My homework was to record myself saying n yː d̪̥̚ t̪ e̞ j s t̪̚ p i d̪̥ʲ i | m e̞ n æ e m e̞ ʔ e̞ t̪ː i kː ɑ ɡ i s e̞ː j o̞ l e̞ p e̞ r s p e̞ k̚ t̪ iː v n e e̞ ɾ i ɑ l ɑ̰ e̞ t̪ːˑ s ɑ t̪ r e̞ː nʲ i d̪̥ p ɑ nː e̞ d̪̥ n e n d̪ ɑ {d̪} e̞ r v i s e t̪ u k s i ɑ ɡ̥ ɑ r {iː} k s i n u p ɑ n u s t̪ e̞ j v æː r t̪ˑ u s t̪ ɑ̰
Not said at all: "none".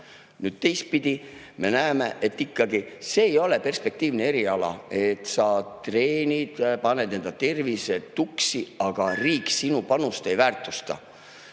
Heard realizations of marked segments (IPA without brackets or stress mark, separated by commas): t̪, iː